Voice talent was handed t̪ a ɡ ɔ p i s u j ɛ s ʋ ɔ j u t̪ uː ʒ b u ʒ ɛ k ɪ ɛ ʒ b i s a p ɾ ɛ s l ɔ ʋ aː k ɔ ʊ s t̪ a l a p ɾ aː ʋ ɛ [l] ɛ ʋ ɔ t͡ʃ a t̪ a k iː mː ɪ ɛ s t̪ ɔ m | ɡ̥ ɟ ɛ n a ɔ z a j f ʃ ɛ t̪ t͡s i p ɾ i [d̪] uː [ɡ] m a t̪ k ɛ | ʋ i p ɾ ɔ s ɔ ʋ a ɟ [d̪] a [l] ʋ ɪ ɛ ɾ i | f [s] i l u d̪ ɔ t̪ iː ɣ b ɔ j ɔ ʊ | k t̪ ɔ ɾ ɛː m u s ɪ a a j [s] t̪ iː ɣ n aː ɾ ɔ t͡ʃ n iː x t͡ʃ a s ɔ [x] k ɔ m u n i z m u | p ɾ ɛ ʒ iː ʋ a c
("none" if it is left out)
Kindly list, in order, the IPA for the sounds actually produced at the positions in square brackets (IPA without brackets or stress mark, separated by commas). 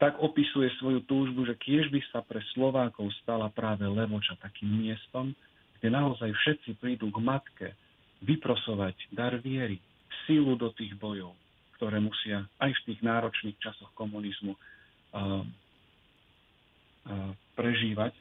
l, d̪, ɡ, d̪, ɾ, s, f, x